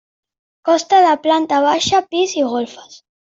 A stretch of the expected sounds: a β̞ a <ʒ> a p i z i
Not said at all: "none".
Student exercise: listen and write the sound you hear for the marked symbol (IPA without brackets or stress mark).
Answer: ʃ